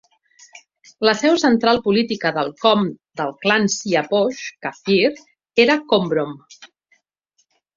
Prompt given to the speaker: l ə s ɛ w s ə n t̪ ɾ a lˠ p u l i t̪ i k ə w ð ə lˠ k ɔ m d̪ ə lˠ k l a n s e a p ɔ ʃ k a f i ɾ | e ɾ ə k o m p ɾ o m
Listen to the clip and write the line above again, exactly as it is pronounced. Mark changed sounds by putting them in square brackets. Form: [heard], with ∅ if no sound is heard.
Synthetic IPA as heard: l ə s ɛ w s ə n t̪ ɾ a lˠ p u l i t̪ i k ə [∅] ð ə lˠ k ɔ m d̪ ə lˠ k l a n s [i] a p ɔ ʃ k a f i ɾ | e ɾ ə k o m [b] ɾ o m